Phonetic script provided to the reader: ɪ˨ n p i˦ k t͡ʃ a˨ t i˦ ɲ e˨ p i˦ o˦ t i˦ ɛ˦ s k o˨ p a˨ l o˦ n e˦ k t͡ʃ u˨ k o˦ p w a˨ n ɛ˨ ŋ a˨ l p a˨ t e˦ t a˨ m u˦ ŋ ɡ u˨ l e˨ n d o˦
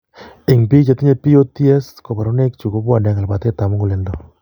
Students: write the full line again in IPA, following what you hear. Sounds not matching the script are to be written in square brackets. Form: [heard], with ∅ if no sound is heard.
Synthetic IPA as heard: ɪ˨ [ŋ] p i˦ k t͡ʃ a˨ t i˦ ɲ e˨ p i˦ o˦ t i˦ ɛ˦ s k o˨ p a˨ [ɾ] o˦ n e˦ k t͡ʃ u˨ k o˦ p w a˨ n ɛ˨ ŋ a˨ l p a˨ t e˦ t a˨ m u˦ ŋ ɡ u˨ l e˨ n d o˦